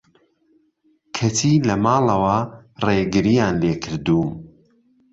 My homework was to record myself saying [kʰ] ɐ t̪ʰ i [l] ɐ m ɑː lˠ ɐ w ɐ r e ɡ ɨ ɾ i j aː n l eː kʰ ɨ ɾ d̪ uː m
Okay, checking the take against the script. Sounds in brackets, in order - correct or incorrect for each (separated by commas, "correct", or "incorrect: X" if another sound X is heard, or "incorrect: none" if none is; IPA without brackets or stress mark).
correct, correct